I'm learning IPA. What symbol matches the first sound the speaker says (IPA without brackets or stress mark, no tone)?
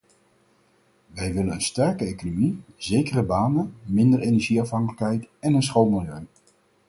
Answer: ʋ